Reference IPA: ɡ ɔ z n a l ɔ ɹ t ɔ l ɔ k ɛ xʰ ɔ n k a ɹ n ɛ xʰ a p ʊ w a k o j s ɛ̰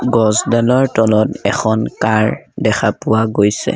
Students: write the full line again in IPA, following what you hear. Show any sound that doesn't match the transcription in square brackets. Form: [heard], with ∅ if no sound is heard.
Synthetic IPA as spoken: ɡ ɔ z [d] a l ɔ ɹ t ɔ l ɔ [t] ɛ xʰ ɔ n k a ɹ [d] ɛ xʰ a p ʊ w a [ɡ] o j s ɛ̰